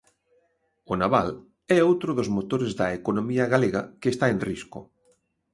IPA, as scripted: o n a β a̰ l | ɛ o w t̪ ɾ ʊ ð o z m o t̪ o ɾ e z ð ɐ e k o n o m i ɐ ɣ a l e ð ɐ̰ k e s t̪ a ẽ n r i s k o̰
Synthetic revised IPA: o n a β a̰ l | ɛ o w t̪ ɾ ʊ ð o z m o t̪ o ɾ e z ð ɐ e k o n o m i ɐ ɣ a l e ɣ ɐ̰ k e s t̪ a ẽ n r i s k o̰